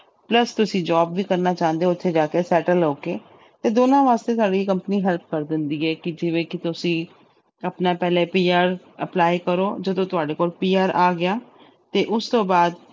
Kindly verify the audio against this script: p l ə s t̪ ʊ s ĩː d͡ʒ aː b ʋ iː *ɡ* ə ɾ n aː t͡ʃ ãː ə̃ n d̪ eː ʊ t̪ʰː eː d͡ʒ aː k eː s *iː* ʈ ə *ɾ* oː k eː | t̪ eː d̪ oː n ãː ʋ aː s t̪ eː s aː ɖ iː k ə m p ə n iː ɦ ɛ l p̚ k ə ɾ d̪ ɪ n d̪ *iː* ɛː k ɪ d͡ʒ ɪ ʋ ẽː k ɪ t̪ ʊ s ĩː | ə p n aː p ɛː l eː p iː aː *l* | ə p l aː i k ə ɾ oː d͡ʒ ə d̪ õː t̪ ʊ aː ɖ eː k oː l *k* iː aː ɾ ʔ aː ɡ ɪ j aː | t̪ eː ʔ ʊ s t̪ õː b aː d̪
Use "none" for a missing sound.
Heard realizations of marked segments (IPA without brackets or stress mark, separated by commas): k, ɛː, l, iː, ɾ, p